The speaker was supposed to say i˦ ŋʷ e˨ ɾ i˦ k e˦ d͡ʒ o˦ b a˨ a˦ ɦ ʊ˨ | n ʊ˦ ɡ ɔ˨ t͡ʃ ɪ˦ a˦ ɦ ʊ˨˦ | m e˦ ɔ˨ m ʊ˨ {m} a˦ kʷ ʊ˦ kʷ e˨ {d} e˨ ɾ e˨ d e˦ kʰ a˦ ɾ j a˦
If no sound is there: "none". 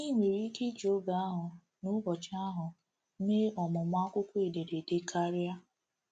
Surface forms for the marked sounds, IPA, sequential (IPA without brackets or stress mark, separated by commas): m, d